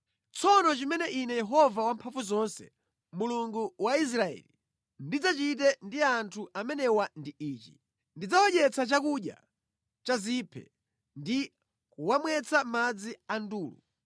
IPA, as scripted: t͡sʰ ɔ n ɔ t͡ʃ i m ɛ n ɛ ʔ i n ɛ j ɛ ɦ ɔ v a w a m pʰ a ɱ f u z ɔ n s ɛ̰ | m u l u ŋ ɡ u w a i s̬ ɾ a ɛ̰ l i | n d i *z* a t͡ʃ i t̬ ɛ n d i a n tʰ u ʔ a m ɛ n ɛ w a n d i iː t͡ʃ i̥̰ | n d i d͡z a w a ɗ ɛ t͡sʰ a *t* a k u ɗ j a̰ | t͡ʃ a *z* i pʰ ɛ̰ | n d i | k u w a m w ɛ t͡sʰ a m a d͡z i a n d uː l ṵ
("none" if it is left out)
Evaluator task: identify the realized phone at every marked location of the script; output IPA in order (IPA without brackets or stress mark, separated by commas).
d͡z, t͡ʃ, z